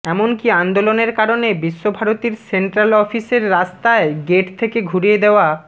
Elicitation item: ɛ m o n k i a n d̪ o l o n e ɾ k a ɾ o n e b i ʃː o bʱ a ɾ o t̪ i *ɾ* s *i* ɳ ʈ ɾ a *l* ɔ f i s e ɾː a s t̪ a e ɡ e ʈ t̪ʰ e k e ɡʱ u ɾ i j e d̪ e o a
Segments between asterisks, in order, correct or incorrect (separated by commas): correct, incorrect, correct